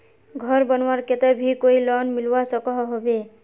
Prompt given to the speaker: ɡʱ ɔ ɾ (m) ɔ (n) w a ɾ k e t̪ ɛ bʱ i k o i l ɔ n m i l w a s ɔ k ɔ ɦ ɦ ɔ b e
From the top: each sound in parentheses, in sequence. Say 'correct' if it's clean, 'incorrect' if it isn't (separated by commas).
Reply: incorrect, correct